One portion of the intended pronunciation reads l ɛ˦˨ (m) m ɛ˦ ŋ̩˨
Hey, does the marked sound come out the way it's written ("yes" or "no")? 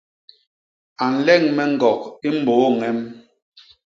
no